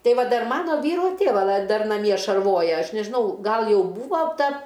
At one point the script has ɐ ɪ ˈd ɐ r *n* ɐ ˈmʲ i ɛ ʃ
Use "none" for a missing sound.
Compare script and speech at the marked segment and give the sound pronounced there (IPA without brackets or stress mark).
n